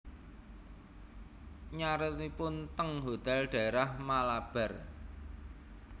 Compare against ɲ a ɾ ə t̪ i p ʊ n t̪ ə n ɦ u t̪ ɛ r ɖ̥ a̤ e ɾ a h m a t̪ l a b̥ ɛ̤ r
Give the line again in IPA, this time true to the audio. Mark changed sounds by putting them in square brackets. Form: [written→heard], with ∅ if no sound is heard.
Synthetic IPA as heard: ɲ a ɾ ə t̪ i p ʊ n t̪ ə [n→ŋ] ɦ [u→o] t̪ ɛ [r→l] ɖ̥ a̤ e ɾ a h m a [t̪→∅] l a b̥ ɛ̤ r